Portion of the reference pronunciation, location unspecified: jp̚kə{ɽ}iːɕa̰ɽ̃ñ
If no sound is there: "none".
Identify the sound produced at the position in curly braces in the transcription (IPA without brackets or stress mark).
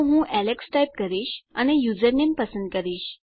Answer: ɾ